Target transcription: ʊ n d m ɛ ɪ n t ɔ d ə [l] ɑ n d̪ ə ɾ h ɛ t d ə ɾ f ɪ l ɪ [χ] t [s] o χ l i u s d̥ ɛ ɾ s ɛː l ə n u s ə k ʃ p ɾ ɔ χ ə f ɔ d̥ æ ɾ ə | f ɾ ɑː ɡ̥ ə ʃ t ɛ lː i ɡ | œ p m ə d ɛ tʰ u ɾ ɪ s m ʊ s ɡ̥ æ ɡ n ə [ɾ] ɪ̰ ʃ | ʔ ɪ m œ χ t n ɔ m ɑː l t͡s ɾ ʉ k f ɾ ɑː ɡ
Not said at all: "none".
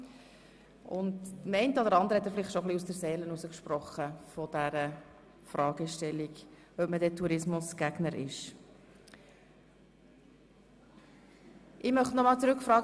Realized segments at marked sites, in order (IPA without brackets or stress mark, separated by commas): ɾ, χ, ʃ, ɾ